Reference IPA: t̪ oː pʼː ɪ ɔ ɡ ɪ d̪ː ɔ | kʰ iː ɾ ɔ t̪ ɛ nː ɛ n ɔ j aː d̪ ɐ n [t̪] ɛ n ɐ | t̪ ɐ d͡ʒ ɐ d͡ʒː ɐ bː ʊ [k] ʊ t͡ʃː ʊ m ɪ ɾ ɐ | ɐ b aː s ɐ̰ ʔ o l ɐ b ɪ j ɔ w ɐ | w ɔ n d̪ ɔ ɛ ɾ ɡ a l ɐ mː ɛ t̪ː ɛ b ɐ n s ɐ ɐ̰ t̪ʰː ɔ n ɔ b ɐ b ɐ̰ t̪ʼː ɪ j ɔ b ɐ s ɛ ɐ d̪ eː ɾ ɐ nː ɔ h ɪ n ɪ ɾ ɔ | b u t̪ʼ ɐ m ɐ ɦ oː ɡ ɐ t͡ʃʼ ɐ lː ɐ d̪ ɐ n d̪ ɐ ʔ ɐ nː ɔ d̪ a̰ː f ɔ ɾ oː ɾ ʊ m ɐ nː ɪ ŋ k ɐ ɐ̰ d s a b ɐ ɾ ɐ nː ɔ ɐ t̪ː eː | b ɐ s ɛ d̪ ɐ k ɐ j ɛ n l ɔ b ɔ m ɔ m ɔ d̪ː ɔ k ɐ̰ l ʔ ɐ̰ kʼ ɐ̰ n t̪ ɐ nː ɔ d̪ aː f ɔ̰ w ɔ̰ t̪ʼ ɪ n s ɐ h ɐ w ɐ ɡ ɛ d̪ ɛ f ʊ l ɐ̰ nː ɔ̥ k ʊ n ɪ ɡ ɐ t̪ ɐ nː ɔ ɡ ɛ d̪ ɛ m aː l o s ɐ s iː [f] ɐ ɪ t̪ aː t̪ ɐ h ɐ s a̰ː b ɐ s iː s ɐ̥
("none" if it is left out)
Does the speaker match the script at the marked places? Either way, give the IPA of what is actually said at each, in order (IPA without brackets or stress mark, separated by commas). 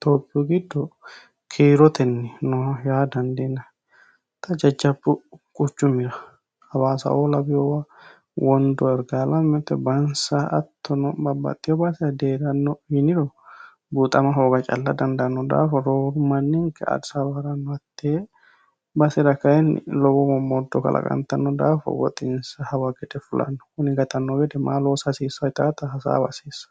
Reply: d̪, kʼ, s